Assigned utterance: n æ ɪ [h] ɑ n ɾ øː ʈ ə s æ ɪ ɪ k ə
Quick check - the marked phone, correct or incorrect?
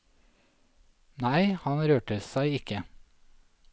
correct